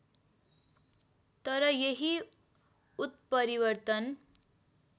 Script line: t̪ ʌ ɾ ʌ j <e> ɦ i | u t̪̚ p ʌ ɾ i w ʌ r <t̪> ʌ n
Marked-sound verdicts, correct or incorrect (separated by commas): correct, correct